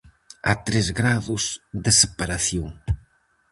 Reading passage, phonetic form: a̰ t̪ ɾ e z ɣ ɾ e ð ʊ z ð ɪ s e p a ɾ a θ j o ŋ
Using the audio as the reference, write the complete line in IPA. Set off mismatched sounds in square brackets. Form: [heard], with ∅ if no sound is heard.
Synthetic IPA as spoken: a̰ t̪ ɾ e z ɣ ɾ [a] ð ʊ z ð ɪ s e p a ɾ a θ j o ŋ